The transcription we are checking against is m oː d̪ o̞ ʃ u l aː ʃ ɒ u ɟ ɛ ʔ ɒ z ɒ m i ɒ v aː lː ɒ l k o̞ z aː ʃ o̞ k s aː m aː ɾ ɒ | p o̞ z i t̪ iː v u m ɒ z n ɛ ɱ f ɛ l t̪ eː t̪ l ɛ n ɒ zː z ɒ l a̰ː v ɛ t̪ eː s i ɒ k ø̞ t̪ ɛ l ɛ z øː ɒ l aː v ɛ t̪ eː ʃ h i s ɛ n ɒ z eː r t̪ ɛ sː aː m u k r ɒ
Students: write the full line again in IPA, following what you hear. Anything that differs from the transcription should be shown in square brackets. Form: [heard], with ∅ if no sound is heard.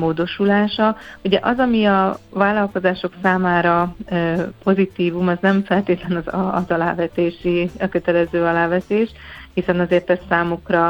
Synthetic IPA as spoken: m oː d̪ o̞ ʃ u l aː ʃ ɒ u ɟ ɛ ʔ ɒ z ɒ m i ɒ v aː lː ɒ l k o̞ z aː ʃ o̞ k s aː m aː ɾ ɒ | p o̞ z i t̪ iː v u m ɒ z n ɛ ɱ f ɛ l t̪ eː t̪ l ɛ n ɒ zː z ɒ l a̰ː v ɛ t̪ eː [ʃ] i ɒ k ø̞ t̪ ɛ l ɛ z øː ɒ l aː v ɛ t̪ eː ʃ h i s ɛ n ɒ z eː r t̪ ɛ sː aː m u k r ɒ